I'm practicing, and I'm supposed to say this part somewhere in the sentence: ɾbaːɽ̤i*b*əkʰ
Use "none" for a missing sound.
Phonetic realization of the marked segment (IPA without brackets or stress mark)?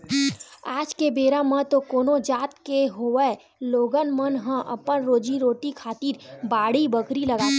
b